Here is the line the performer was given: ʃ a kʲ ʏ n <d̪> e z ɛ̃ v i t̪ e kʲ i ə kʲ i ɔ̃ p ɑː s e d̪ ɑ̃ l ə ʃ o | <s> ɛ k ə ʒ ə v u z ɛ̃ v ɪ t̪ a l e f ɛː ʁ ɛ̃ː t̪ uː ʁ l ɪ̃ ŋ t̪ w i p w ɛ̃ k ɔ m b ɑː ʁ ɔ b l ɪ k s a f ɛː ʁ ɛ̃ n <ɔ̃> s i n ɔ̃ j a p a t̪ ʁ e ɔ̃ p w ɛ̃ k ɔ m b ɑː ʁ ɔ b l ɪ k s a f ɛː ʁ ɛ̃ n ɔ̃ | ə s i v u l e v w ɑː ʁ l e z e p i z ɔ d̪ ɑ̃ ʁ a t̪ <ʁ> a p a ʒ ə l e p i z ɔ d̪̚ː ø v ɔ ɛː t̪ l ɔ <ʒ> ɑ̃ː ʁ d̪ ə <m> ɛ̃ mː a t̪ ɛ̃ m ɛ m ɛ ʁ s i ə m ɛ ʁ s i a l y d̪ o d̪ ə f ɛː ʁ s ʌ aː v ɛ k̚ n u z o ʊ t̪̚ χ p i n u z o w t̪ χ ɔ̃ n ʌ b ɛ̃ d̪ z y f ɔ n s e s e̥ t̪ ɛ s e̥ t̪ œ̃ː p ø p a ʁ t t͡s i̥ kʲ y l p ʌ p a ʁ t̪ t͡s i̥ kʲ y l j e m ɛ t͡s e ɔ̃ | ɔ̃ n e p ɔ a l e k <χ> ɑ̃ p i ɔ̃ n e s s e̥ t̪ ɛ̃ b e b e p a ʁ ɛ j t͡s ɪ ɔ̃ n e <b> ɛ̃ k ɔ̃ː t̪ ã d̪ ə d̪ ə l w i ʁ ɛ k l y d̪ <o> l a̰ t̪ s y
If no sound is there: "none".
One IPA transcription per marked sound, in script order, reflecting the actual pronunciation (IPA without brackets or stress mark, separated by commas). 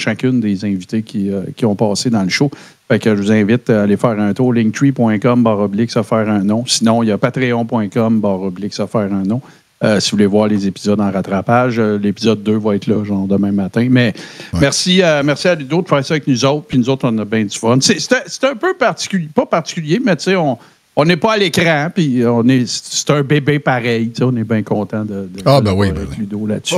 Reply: d̪, f, ɔ̃, ʁ, ʒ, m, ʁ, b, o